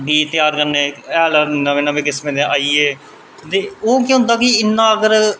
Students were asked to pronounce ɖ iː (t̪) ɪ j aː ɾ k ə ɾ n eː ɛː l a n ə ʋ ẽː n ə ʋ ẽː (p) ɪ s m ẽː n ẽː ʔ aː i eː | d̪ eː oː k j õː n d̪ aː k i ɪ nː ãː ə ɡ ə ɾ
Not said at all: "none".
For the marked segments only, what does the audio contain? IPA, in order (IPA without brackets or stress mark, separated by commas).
t̪, k